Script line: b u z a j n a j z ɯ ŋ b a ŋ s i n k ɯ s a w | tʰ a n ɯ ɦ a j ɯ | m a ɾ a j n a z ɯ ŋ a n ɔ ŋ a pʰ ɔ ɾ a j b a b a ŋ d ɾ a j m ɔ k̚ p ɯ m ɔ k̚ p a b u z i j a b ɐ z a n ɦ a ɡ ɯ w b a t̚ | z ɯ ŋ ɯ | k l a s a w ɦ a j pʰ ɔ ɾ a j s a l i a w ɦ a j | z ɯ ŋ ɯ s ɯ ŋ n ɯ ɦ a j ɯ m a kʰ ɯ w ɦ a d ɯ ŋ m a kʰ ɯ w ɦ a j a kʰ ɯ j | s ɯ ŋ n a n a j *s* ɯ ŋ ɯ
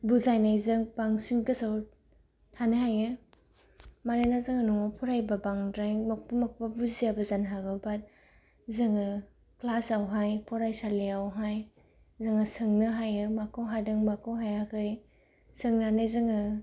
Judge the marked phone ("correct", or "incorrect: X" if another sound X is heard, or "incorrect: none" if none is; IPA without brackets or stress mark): incorrect: z